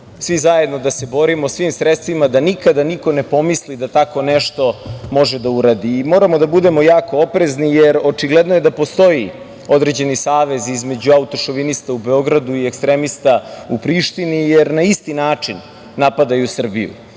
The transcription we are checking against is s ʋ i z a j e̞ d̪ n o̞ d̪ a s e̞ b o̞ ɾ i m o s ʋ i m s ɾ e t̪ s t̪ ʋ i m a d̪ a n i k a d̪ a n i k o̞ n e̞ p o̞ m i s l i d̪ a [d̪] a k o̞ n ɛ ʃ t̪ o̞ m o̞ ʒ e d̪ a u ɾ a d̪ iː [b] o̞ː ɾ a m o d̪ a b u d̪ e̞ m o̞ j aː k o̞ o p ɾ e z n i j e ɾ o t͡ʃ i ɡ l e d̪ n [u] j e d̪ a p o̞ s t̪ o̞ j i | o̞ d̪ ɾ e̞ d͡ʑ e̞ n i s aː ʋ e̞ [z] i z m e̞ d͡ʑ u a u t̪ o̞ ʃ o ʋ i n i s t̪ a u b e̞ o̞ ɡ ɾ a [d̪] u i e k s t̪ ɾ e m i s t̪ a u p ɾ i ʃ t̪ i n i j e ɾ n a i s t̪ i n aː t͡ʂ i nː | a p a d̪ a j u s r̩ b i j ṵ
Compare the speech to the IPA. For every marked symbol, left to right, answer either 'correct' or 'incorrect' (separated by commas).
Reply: incorrect, incorrect, incorrect, correct, correct